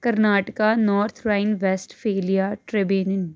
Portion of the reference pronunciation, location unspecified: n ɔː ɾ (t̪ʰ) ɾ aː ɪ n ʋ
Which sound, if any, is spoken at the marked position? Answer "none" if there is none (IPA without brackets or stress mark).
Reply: t̪ʰ